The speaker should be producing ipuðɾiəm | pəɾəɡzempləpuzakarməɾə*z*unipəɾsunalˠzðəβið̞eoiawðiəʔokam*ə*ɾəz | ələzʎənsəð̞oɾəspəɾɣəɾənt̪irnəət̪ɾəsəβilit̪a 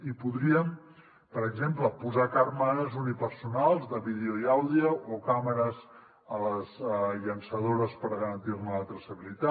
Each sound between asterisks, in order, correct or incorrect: correct, correct

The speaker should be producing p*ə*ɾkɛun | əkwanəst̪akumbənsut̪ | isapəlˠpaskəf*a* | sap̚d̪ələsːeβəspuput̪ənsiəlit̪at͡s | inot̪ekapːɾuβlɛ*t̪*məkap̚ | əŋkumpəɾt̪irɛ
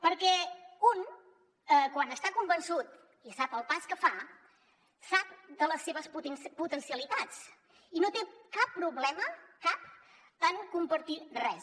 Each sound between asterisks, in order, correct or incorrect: correct, correct, incorrect

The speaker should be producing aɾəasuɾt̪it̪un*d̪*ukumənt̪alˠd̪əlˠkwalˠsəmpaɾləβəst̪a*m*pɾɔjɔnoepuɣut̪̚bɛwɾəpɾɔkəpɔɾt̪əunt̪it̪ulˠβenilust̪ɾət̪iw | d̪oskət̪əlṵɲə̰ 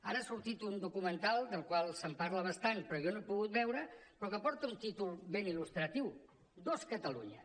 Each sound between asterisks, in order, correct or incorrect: correct, incorrect

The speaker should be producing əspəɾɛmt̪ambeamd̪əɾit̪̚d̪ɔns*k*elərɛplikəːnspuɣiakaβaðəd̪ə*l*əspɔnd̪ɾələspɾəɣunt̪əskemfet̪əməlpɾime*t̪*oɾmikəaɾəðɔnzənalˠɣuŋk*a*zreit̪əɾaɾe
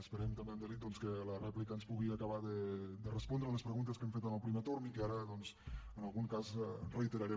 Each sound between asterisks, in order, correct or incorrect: correct, incorrect, correct, correct

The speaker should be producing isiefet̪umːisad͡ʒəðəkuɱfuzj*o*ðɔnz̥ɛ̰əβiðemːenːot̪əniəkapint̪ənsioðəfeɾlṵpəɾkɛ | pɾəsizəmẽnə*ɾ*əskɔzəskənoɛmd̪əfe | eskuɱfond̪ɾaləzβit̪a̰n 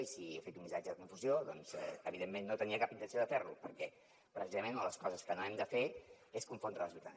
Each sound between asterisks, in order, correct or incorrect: correct, incorrect

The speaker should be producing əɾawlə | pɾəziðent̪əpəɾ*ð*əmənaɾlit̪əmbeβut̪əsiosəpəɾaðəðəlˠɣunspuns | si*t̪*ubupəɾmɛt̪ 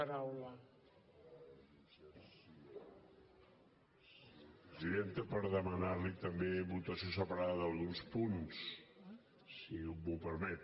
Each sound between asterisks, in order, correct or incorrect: correct, incorrect

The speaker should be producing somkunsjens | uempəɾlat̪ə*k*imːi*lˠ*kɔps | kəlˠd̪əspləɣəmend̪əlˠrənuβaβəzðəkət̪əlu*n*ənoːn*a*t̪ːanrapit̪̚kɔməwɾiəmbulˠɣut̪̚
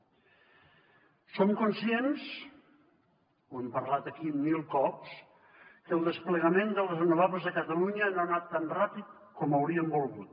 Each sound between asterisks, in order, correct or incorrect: correct, correct, incorrect, correct

